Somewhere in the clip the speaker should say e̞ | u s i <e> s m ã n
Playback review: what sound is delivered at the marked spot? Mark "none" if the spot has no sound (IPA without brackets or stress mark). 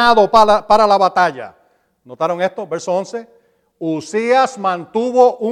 a